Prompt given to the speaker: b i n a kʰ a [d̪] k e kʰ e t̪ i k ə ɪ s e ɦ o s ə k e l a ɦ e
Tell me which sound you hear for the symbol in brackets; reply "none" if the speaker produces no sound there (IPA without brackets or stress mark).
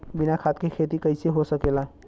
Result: t̪